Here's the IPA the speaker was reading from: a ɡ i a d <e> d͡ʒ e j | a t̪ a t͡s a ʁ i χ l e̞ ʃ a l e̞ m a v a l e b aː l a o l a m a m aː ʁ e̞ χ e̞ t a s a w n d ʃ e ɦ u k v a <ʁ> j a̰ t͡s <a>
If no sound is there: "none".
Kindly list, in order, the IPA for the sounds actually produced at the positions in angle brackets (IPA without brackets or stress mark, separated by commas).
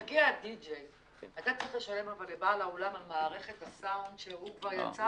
i, ʁ, a